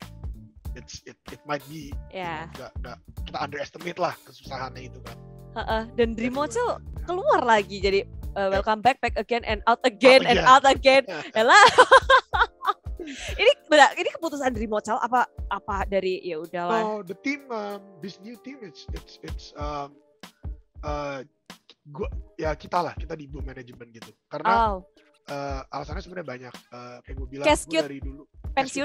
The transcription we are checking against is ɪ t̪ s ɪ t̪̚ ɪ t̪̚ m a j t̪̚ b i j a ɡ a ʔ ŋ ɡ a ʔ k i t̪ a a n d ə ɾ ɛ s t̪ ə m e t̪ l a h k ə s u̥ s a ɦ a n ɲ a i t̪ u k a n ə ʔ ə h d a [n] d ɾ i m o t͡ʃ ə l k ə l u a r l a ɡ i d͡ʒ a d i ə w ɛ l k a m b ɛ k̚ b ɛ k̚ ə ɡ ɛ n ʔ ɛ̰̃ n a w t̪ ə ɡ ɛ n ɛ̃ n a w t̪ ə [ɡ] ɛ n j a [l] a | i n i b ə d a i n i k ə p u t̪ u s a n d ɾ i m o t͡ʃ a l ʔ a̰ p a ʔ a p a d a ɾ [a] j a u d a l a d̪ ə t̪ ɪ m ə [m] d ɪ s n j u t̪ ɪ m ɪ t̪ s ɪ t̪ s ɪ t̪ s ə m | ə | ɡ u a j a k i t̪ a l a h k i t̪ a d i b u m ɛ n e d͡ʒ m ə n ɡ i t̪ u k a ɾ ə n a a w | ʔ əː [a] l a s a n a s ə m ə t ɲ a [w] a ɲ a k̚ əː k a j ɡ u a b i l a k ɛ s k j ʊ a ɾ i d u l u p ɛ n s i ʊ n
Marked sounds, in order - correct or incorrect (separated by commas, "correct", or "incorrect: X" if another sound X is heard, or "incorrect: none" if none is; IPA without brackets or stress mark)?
correct, correct, correct, incorrect: i, correct, correct, incorrect: b